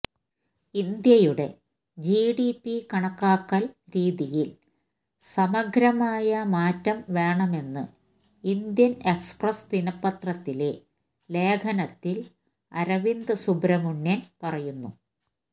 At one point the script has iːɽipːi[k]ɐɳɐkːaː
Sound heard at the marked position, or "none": k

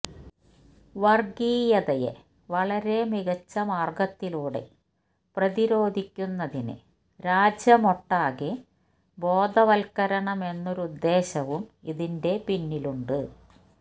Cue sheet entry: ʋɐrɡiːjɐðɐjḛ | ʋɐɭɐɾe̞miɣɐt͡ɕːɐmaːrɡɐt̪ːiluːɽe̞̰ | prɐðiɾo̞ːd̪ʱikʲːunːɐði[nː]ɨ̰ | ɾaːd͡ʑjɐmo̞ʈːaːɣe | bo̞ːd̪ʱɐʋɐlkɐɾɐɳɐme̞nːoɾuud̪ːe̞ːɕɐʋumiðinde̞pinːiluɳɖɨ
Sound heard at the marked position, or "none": n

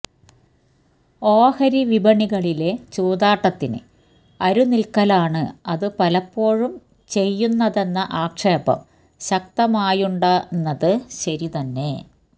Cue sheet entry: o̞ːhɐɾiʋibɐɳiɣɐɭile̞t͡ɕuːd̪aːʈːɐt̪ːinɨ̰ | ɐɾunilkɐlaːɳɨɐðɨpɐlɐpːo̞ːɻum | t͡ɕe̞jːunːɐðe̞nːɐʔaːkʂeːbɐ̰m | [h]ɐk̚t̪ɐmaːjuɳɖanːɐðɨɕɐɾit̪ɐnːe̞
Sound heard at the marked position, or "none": ɕ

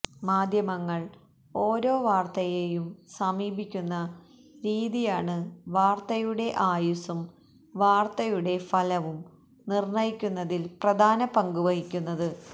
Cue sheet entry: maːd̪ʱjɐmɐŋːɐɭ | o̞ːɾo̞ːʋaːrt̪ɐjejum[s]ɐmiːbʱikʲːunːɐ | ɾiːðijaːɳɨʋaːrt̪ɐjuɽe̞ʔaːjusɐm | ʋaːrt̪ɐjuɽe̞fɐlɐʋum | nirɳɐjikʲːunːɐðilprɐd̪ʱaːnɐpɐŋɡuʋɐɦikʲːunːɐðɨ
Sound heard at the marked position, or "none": s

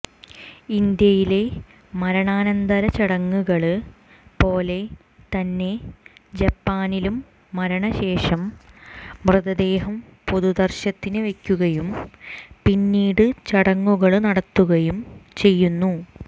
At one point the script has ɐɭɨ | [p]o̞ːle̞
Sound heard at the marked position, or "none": p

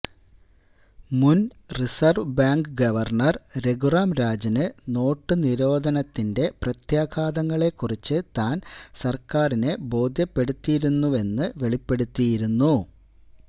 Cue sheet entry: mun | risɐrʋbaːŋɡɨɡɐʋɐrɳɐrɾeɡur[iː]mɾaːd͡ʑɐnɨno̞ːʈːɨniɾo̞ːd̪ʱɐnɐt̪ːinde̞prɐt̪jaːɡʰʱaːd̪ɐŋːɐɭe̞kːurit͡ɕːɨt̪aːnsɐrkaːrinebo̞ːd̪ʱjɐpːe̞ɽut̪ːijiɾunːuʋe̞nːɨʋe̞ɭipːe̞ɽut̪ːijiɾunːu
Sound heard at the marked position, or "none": aː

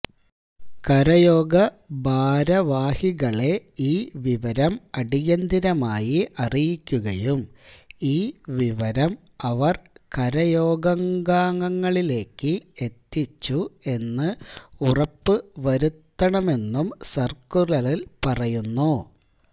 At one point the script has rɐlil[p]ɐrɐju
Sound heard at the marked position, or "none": p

